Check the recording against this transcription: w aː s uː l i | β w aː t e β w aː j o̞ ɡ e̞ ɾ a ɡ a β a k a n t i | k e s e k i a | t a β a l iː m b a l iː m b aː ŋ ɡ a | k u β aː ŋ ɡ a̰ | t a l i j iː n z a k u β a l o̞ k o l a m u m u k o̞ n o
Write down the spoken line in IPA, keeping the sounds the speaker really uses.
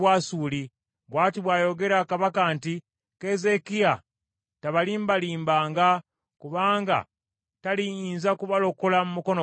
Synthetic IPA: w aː s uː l i | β w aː t i β w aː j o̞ ɡ e̞ ɾ a k a β a k a n t i | k e z e k i a | t a β a l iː m b a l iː m b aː ŋ ɡ a | k u β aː ŋ ɡ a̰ | t a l i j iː n z a k u β a l o̞ k o l a m u m u k o̞ n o